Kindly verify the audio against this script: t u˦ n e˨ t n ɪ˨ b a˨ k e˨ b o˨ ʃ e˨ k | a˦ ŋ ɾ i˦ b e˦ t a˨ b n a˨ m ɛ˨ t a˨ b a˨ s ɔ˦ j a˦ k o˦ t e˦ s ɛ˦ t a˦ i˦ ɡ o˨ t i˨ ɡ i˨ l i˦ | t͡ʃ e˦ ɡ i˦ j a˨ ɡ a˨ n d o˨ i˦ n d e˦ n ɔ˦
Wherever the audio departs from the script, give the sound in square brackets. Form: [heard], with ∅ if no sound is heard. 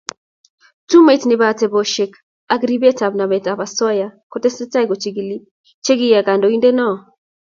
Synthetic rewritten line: t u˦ [m] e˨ t n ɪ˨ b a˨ [t] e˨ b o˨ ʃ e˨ k | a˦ [ɡ] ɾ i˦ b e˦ t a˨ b n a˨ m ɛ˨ t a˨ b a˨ s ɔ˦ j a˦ k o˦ t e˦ s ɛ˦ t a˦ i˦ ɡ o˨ [t͡ʃ] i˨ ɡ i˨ l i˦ | t͡ʃ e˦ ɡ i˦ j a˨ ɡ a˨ n d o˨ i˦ n d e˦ n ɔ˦